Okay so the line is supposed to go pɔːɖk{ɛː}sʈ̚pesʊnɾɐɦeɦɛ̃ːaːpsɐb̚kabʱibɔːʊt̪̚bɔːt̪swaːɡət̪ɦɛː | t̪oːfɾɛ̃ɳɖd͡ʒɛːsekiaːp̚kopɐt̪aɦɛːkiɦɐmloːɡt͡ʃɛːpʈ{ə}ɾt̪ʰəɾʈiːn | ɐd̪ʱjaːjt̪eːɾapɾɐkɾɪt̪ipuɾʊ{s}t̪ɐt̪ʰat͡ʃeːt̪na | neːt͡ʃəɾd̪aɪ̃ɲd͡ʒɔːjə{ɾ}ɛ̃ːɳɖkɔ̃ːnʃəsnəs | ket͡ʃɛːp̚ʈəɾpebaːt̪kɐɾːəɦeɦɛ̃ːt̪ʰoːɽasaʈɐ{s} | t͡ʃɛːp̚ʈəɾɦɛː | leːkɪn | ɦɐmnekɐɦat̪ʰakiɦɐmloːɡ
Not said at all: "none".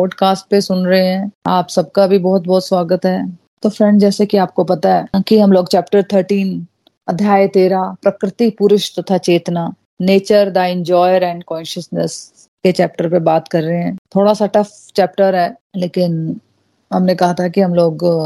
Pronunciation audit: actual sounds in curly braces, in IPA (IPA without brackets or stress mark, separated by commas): aː, ə, ʃ, ɾ, f